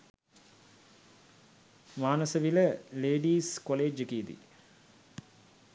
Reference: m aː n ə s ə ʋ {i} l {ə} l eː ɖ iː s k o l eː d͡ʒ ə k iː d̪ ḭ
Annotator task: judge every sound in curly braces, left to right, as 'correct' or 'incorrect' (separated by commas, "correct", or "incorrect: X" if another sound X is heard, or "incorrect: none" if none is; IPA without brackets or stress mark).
correct, correct